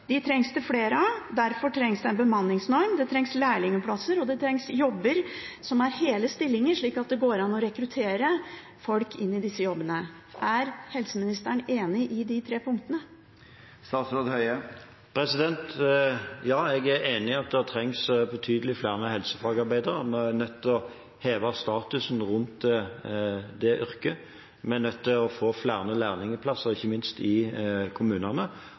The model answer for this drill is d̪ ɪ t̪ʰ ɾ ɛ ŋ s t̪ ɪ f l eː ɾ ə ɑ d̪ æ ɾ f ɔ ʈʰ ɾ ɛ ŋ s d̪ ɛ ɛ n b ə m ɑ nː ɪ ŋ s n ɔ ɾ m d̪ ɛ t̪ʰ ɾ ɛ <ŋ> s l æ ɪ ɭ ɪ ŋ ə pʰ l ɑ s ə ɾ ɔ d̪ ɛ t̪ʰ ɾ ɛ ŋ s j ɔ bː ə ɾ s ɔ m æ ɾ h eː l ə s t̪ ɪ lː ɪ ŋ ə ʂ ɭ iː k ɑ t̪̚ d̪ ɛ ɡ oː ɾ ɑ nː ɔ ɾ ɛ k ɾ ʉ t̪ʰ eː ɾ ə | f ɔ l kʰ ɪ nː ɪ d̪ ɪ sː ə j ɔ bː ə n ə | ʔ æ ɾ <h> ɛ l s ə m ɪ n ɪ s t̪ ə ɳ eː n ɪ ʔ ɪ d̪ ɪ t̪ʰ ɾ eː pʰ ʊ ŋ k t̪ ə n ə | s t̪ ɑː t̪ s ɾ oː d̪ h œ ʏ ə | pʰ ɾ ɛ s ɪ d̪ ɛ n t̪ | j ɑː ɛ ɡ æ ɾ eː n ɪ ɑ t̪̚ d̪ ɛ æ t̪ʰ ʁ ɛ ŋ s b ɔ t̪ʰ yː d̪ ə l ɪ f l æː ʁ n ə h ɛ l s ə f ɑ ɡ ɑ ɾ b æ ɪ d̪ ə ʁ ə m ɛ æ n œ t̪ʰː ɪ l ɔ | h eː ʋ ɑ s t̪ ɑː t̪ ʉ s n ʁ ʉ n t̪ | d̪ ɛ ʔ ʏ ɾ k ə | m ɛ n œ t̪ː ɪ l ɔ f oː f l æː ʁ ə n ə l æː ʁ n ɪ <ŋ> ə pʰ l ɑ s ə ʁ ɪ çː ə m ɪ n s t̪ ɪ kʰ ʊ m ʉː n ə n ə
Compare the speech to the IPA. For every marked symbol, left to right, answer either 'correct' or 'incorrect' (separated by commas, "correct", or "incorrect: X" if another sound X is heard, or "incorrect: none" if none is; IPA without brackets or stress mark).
correct, correct, correct